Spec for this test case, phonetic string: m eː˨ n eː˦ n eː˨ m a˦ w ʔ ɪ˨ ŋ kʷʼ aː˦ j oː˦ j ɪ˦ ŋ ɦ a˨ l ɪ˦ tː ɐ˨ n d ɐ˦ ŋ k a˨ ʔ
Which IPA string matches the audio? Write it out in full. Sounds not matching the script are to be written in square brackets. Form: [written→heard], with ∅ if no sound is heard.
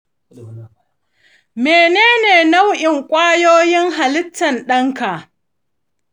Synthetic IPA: m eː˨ n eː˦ n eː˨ [m→n] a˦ w ʔ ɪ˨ ŋ kʷʼ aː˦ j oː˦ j ɪ˦ ŋ ɦ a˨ l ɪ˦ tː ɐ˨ n [d→ɗ] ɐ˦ ŋ k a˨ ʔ